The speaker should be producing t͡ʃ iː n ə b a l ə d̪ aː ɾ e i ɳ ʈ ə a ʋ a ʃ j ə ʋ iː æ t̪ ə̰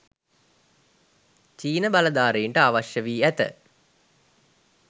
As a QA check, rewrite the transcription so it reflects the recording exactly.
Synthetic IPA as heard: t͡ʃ iː n ə b a l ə d̪ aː ɾ e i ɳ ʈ ə a ʋ a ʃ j ə ʋ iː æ t̪ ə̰